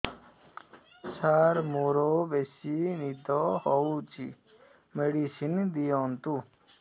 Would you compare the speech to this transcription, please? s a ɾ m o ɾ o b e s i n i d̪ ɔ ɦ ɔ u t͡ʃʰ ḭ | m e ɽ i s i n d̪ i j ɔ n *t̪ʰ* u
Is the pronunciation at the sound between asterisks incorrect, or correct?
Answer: incorrect